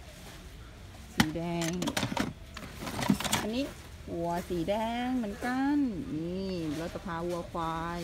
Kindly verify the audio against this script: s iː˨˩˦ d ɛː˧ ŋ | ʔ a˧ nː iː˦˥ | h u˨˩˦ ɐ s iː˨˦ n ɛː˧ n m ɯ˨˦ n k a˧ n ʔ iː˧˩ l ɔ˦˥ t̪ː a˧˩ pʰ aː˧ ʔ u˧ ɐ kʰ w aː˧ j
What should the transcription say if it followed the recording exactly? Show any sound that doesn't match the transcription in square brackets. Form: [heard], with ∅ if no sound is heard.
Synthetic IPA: s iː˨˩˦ d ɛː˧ ŋ | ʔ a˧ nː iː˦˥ | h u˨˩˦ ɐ s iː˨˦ [d] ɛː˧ [ŋ] m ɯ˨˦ n k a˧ n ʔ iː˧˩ l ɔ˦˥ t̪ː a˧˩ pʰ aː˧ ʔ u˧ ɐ kʰ w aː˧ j